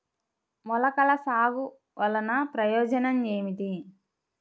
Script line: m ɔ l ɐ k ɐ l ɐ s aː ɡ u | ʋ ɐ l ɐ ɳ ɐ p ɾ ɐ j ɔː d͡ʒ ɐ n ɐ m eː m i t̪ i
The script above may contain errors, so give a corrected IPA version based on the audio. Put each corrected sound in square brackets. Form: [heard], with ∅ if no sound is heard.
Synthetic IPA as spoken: m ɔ l ɐ k ɐ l ɐ s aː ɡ u | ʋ ɐ l ɐ [n] ɐ p ɾ ɐ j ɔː d͡ʒ ɐ n ɐ m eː m i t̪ i